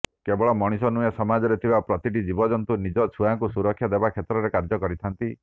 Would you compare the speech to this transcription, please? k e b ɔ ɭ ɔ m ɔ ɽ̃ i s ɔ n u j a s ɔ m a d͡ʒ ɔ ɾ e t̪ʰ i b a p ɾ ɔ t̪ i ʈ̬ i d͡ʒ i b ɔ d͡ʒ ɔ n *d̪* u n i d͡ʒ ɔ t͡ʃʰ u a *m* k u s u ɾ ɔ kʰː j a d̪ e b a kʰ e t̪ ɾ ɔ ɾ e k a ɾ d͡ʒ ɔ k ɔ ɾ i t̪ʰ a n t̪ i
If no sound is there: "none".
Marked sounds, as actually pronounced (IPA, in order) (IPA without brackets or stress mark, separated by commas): t̪, ŋ